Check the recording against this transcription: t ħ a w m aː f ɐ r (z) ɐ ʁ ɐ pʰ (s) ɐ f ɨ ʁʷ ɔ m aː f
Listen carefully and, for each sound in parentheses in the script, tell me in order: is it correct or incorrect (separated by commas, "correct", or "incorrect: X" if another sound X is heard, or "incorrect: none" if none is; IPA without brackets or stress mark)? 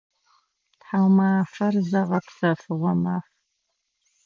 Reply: correct, correct